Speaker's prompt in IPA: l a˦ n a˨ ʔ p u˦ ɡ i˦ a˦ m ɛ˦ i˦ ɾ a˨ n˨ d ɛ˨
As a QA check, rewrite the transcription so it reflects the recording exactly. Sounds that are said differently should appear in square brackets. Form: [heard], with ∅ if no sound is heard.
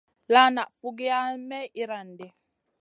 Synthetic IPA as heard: l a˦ n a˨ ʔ p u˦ ɡ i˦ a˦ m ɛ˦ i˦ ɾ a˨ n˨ d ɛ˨